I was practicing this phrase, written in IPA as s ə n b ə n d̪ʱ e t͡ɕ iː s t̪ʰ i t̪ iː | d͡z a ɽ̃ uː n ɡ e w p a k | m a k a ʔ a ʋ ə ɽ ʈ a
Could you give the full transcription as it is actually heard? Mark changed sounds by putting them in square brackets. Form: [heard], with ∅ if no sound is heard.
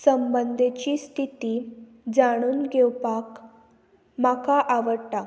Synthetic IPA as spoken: s ə [m] b ə n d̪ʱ e t͡ɕ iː s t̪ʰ i t̪ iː | d͡z a ɽ̃ uː n ɡ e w p a k | m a k a ʔ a ʋ ə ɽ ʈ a